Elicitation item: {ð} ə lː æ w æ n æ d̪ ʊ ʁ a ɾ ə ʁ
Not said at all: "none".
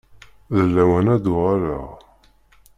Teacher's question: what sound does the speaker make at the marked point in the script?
ð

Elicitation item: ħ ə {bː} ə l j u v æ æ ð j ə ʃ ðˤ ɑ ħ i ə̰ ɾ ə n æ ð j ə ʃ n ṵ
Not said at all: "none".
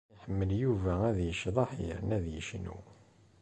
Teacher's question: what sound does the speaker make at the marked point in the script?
mː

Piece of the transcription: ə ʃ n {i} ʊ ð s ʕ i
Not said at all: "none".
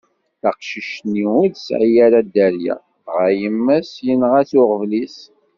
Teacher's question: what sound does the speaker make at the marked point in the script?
i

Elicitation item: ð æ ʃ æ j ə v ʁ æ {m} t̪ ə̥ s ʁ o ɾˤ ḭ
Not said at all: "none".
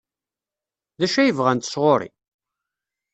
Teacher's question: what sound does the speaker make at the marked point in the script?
n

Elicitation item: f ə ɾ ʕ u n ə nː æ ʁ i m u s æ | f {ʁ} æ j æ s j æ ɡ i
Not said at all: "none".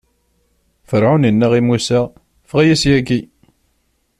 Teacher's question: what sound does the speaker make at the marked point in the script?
ʁ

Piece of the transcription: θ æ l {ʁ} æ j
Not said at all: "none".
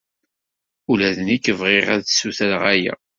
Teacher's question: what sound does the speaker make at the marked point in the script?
ʁ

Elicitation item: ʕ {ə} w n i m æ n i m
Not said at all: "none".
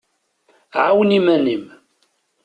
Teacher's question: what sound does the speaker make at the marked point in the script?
a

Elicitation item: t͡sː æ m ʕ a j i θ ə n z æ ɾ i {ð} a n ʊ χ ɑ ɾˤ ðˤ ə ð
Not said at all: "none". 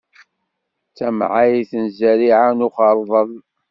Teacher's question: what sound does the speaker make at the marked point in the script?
ʕ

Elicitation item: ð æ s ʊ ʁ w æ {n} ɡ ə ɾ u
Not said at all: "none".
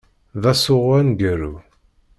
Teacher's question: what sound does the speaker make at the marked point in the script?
n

